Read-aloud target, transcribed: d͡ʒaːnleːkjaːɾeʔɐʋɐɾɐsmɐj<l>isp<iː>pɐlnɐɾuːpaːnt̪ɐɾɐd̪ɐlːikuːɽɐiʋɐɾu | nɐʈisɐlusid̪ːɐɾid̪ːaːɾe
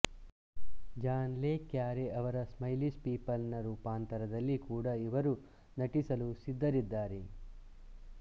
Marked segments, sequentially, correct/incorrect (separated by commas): correct, correct